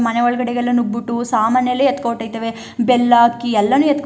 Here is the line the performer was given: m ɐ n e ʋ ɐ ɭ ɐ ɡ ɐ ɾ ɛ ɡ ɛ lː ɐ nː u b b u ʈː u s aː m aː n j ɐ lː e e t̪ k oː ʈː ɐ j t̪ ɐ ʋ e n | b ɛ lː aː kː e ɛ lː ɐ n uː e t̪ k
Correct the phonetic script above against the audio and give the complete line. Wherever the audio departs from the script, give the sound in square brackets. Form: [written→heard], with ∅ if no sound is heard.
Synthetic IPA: m ɐ n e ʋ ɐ ɭ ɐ ɡ ɐ [ɾ→ɽ] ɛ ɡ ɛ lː ɐ [nː→n] u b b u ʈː u s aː m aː n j ɐ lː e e t̪ k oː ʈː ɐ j t̪ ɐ ʋ e [n→∅] | b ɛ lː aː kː [e→i] ɛ lː ɐ n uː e t̪ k